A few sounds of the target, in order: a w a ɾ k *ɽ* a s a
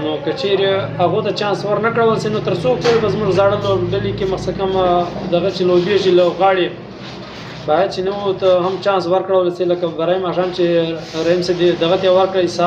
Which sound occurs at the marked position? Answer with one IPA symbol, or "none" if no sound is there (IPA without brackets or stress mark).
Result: ɽ